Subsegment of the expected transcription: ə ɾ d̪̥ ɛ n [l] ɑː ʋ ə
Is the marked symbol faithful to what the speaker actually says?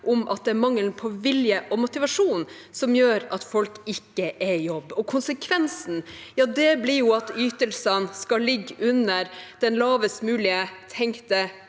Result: yes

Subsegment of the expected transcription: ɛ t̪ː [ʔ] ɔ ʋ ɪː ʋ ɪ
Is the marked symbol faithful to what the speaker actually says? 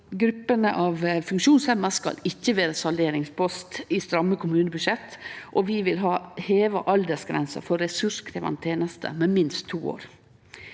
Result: yes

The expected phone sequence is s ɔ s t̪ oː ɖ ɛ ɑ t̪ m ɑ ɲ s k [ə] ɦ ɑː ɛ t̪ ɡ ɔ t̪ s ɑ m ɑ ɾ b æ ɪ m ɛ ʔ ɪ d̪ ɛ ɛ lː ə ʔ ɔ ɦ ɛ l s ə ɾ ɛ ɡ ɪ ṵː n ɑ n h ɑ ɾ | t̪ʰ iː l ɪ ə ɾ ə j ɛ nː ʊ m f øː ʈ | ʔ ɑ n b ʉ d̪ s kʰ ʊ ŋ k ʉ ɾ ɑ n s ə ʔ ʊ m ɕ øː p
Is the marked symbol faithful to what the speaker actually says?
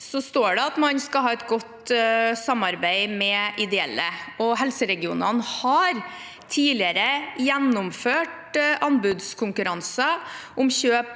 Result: no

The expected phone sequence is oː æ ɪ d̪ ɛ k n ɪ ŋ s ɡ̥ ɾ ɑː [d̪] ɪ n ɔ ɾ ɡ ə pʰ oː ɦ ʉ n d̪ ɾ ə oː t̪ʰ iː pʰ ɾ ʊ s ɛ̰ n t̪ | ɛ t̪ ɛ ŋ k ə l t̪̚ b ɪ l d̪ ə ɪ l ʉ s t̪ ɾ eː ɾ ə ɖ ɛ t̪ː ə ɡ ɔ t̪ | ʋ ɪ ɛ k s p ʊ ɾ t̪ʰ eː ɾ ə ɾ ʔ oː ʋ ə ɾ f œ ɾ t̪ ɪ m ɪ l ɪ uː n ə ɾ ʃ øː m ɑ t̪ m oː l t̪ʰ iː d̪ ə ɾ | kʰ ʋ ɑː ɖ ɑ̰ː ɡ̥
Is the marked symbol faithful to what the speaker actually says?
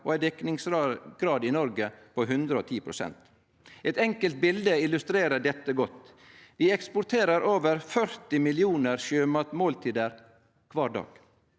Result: yes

